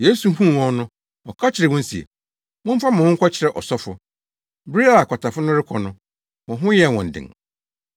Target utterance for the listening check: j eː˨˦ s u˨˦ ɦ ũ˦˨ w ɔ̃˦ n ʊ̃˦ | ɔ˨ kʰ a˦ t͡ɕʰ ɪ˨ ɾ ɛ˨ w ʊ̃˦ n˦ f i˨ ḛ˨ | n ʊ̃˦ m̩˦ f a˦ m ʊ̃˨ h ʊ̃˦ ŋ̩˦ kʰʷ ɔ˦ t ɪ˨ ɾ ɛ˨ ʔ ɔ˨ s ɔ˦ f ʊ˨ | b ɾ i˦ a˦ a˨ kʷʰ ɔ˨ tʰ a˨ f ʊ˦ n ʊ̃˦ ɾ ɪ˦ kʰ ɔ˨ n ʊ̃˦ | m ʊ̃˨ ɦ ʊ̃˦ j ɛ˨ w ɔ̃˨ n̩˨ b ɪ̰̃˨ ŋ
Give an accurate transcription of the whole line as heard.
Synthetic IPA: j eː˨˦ s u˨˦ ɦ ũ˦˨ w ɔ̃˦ n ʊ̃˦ | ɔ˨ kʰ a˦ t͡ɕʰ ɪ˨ ɾ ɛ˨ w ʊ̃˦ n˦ s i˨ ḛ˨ | m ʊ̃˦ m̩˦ f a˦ m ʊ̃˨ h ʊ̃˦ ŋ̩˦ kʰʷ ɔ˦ t͡ɕʰ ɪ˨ ɾ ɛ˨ ʔ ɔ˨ s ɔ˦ f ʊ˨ | b ɾ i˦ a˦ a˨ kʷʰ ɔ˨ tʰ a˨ f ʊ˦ n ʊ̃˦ ɾ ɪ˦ kʰ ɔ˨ n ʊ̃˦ | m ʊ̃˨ ɦ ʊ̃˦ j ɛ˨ w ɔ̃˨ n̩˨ d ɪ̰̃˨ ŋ